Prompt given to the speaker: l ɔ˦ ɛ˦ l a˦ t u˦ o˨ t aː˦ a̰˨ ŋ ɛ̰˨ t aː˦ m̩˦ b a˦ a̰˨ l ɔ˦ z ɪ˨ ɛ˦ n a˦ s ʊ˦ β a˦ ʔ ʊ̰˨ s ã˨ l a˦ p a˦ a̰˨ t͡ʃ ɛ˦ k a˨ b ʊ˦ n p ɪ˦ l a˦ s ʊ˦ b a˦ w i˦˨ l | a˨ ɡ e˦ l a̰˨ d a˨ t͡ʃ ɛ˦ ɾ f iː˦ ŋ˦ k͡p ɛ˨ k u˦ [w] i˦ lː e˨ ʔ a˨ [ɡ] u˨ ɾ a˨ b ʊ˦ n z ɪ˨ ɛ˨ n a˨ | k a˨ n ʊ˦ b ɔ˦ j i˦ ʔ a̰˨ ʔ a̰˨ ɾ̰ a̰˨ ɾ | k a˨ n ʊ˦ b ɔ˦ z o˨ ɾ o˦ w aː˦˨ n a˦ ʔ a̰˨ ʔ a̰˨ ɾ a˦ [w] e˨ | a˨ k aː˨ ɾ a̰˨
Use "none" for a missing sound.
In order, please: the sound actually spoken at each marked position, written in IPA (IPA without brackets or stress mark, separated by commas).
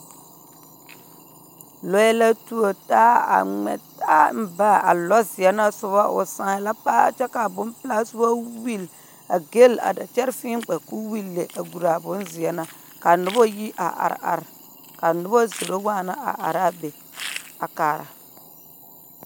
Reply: w, ɡ, b